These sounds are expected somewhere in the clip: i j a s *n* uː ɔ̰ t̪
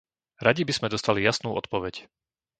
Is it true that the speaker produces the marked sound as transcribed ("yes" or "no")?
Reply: yes